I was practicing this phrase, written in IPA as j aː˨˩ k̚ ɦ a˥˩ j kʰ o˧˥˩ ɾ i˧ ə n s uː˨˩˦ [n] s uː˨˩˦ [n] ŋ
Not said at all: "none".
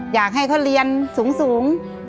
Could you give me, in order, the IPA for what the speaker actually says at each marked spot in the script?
ŋ, none

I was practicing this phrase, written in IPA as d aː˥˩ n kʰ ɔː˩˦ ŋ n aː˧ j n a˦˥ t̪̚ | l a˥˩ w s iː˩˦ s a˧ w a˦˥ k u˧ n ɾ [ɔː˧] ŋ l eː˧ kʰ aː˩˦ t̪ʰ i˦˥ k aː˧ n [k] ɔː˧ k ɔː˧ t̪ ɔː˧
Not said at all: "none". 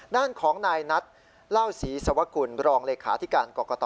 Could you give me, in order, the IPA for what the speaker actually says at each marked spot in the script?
ɔː˧, k

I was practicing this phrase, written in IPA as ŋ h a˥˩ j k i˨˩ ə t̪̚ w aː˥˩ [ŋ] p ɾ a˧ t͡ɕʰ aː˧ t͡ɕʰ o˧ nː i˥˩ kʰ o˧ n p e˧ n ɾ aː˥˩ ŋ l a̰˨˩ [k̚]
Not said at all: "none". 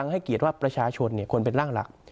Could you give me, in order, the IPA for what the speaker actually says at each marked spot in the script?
none, k̚

